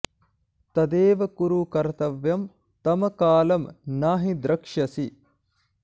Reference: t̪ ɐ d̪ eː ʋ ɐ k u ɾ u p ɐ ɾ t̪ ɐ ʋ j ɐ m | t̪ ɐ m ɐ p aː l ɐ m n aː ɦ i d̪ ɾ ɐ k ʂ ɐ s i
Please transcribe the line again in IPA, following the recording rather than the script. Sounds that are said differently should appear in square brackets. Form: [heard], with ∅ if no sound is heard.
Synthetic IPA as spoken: t̪ ɐ d̪ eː ʋ ɐ k u ɾ u [k] ɐ ɾ t̪ ɐ ʋ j ɐ m | t̪ ɐ m ɐ [k] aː l ɐ m n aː ɦ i d̪ ɾ ɐ k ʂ ɐ s i